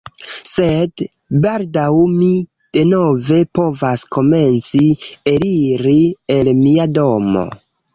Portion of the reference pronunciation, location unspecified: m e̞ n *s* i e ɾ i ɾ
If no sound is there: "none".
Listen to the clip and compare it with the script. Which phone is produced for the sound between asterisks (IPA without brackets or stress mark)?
t͡s